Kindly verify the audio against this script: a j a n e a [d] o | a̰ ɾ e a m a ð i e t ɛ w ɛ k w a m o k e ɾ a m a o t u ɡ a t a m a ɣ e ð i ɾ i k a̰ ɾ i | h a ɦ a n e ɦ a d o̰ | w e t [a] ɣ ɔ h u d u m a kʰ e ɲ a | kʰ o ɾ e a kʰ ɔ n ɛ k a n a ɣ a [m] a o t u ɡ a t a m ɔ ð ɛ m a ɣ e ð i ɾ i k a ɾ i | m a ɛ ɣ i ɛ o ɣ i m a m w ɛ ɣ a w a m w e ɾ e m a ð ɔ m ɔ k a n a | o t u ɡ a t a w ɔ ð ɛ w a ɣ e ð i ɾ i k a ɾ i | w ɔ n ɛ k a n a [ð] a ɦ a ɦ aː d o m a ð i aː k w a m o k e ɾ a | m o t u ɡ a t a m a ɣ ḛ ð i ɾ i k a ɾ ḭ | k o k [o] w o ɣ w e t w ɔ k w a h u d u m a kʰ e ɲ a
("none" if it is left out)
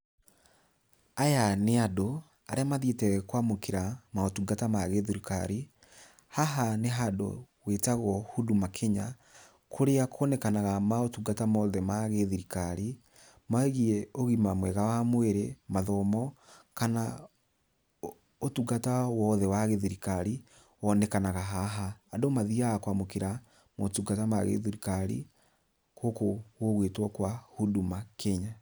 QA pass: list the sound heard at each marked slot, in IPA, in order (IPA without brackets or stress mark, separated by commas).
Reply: d, a, m, ɣ, o